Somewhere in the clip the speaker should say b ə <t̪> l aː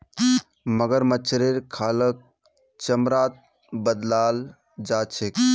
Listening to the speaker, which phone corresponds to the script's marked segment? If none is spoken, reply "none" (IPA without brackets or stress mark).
d̪